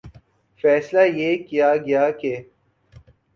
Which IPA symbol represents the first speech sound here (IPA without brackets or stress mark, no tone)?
f